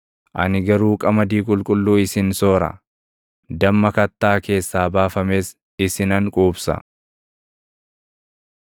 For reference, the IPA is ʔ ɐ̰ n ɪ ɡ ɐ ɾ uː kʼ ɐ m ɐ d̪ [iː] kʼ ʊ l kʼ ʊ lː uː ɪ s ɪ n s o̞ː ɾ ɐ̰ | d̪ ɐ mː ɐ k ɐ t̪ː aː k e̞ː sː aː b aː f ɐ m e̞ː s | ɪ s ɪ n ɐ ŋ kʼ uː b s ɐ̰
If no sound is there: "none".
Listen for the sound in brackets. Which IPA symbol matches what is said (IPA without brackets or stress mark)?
iː